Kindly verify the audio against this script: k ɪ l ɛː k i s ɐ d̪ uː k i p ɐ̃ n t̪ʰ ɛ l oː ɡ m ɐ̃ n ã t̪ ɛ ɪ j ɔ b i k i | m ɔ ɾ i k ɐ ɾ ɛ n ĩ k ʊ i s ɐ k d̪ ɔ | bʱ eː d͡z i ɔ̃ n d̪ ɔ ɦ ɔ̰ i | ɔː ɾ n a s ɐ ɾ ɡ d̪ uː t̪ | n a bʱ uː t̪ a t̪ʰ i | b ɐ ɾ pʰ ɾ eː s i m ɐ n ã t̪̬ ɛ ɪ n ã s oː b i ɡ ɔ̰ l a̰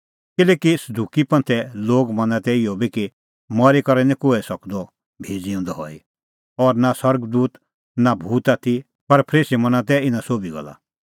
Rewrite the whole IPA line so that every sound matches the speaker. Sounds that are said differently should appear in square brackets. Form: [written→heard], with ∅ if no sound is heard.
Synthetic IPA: k ɪ l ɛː k i s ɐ d̪ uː k i p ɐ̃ n t̪ʰ ɛ l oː ɡ m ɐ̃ n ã t̪ ɛ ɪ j ɔ b i k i | m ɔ ɾ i k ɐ ɾ ɛ n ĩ k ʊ [i→ɛ] s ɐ k d̪ ɔ | bʱ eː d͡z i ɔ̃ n d̪ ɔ ɦ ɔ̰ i | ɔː ɾ n a s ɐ ɾ ɡ d̪ uː t̪ | n a bʱ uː t̪ a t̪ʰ i | [b→p] ɐ ɾ pʰ ɾ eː s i m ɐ n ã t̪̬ ɛ ɪ n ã s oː b i ɡ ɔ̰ l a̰